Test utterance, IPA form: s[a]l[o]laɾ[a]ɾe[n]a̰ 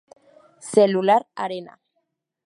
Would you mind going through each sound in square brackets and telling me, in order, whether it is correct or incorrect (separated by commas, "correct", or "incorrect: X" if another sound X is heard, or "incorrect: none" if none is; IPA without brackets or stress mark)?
incorrect: e, incorrect: u, correct, correct